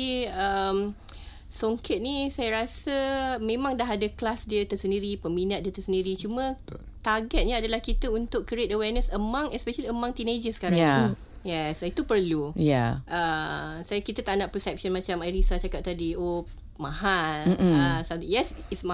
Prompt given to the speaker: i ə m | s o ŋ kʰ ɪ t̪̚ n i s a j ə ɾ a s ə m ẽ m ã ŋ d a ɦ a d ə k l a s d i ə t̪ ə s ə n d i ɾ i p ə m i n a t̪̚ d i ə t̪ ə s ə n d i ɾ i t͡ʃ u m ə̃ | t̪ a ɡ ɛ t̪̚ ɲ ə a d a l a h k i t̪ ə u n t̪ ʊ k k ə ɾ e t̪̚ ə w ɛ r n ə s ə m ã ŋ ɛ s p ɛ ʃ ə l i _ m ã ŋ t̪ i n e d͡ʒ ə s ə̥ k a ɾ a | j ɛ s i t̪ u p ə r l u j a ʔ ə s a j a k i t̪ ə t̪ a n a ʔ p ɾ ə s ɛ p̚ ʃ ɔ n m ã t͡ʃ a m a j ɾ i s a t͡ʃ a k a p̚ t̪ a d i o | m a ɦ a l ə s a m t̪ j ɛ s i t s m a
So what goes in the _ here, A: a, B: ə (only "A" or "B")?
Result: B